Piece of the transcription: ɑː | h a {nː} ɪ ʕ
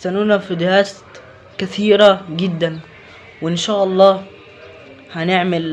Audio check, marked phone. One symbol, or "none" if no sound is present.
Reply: n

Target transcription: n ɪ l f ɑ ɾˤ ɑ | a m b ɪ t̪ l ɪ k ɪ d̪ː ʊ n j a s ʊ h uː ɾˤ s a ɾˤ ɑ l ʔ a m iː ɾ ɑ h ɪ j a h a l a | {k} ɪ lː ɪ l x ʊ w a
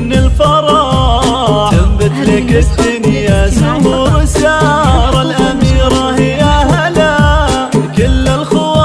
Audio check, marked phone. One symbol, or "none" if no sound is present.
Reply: k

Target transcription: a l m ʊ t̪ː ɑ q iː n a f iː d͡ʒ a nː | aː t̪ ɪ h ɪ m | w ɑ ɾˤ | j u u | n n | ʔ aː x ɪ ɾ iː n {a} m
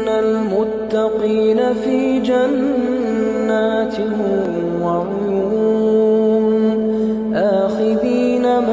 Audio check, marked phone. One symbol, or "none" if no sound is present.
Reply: a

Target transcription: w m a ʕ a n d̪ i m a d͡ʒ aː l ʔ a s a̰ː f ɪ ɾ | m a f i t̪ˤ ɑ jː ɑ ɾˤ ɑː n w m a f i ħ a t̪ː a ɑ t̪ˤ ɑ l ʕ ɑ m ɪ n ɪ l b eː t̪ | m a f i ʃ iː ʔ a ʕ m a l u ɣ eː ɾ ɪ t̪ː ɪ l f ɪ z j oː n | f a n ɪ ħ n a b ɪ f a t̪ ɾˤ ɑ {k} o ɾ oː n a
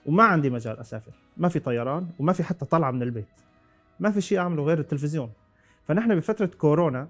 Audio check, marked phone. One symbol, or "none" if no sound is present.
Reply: k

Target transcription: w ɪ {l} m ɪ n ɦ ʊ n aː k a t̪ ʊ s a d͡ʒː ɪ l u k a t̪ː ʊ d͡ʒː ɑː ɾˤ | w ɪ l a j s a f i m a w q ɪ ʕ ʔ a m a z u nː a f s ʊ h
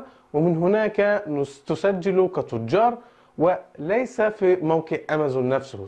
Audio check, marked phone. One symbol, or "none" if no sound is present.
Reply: none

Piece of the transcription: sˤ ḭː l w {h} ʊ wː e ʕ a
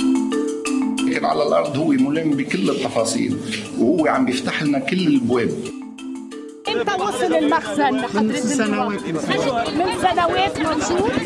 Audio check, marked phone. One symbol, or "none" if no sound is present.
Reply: h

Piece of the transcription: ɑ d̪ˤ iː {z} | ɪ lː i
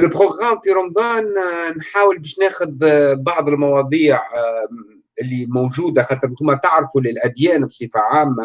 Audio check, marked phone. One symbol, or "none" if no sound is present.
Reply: ʕ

